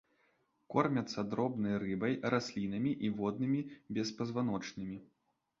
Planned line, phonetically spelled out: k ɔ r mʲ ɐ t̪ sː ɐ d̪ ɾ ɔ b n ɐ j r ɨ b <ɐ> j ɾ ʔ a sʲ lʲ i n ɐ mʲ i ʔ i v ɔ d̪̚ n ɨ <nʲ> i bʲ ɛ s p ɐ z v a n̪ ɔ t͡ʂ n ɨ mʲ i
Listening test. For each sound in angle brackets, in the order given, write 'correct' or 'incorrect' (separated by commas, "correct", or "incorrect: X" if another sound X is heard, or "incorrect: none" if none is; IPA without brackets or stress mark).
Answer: correct, incorrect: mʲ